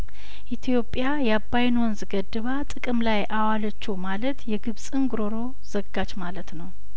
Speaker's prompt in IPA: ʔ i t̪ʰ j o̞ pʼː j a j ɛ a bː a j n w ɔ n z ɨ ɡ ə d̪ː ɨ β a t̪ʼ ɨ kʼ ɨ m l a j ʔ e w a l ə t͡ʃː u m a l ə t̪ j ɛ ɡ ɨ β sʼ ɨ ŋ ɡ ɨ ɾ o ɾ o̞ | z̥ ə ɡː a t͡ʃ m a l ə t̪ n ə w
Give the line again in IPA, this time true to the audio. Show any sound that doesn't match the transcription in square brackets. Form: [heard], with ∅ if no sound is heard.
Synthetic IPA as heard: ʔ i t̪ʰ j o̞ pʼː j a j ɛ a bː a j n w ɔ n z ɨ ɡ ə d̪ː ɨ β a t̪ʼ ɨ kʼ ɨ m l a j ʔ [a] w a l ə t͡ʃː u m a l ə t̪ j ɛ ɡ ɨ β sʼ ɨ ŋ ɡ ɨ ɾ o ɾ o̞ | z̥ ə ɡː a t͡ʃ m a l ə t̪ n ə w